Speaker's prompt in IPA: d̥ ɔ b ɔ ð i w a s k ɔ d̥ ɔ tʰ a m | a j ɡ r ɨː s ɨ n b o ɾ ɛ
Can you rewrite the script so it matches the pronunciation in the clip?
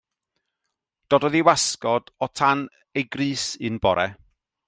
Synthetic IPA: d̥ ɔ d ɔ ð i w a s k ɔ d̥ ɔ tʰ a n | e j ɡ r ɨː s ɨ n b ɔ ɾ ɛ